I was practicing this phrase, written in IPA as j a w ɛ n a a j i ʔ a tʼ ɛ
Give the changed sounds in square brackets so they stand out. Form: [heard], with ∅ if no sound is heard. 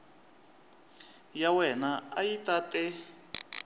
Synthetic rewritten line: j a w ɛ n a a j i [t] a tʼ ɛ